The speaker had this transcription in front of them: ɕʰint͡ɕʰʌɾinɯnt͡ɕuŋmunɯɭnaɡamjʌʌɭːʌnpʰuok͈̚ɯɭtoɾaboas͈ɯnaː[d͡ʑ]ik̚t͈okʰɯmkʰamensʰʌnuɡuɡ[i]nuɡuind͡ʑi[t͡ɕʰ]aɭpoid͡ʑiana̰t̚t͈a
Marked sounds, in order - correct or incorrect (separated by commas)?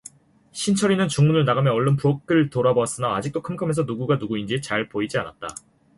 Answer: correct, incorrect, incorrect